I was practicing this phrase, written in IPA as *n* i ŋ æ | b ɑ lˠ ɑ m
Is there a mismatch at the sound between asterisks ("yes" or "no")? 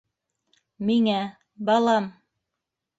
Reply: yes